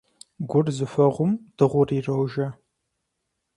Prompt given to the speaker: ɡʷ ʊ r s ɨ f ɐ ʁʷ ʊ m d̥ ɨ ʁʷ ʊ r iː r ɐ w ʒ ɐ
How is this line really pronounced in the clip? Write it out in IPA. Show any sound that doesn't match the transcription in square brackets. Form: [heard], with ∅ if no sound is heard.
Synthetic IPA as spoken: ɡʷ ʊ r [z] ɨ f ɐ ʁʷ ʊ m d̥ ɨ ʁʷ ʊ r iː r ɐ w ʒ ɐ